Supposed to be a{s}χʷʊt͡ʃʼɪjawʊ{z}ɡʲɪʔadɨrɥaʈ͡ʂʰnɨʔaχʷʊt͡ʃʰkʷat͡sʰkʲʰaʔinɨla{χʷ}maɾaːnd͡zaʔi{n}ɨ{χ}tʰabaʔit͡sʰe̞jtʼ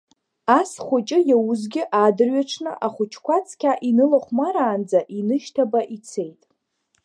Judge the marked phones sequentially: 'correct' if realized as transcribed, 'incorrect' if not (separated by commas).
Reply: correct, correct, correct, correct, incorrect